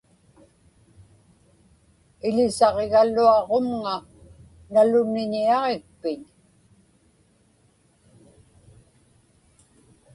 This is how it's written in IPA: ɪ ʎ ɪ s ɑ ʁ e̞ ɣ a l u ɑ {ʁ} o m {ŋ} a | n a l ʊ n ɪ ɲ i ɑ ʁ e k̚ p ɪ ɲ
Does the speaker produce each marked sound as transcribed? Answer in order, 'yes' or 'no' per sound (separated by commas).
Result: yes, yes